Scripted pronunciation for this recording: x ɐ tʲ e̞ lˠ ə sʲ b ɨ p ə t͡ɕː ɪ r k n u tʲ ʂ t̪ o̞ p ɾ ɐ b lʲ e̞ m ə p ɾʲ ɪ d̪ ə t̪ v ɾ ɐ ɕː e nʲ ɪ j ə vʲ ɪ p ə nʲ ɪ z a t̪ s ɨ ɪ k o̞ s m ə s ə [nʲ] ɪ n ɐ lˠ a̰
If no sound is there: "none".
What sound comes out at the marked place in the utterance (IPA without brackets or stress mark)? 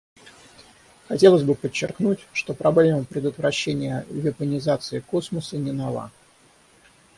nʲ